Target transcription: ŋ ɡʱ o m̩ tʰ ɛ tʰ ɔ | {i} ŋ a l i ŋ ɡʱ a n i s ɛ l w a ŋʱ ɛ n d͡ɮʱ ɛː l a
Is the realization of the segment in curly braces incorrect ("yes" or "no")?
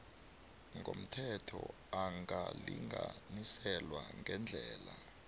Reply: yes